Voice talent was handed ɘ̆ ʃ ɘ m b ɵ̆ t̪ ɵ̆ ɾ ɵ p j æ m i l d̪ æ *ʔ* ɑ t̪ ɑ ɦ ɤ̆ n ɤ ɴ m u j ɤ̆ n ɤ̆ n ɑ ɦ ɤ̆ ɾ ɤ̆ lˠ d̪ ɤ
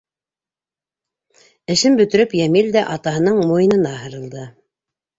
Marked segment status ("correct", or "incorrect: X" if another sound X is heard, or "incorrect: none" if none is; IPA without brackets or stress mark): correct